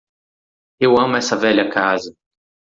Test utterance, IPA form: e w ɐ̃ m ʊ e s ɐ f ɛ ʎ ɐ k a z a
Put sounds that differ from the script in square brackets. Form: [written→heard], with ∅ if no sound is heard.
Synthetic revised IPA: e w ɐ̃ m ʊ [e→ɛ] s ɐ [f→v] ɛ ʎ ɐ k a z [a→ɐ]